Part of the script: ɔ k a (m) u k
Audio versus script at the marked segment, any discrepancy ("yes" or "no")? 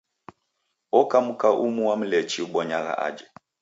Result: no